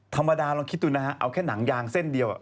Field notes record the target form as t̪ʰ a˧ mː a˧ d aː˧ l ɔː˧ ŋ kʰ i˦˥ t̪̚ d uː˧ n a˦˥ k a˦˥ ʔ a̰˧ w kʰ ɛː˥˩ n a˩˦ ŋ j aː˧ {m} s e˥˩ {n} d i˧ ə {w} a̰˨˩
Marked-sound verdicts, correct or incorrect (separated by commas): incorrect, correct, correct